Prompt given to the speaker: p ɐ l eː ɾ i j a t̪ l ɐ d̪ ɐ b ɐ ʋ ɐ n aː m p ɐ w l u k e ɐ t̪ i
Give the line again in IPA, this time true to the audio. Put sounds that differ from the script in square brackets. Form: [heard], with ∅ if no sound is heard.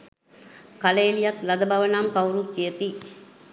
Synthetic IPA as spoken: [k] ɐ l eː [l] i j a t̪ l ɐ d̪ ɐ b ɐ ʋ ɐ n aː m [k] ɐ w [ɾ] u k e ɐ t̪ i